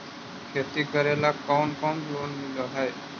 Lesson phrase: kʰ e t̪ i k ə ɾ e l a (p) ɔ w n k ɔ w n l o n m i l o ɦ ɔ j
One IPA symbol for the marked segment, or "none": k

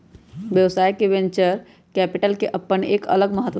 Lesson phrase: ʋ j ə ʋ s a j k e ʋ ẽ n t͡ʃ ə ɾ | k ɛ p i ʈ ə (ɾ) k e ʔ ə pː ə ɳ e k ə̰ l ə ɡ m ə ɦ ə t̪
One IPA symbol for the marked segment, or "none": l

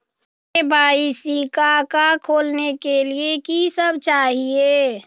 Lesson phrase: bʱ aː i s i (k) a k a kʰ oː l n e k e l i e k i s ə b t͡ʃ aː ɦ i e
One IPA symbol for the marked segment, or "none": k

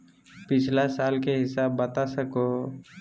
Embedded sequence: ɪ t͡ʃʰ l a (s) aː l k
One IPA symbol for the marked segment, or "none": s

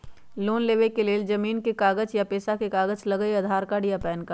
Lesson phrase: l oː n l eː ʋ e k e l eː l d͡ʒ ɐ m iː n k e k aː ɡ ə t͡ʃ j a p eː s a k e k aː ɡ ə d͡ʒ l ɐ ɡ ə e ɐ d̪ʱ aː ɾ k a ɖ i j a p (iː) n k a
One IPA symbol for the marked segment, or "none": ɛː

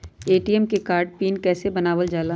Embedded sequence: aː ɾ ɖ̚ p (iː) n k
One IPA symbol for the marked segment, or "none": iː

